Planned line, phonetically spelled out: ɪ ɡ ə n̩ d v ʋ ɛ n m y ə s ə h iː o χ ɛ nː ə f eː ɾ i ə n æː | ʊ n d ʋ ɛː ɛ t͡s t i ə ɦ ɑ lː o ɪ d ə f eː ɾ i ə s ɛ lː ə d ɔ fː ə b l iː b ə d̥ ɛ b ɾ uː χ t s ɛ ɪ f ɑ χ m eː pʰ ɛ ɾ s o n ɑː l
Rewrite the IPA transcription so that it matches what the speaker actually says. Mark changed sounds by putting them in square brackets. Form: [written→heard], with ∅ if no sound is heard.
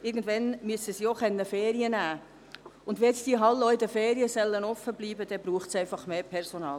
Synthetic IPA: ɪ ɡ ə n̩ d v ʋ ɛ n m y ə s ə [h→s] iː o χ ɛ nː ə f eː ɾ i ə n æː | ʊ n d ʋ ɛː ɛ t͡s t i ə ɦ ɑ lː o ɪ d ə f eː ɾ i ə s ɛ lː ə [d→n] ɔ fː ə b l iː b ə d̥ ɛ b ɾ uː χ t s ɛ ɪ f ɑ χ m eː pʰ ɛ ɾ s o n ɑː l